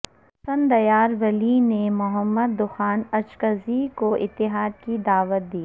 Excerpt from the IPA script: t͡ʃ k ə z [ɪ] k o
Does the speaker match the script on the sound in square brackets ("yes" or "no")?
no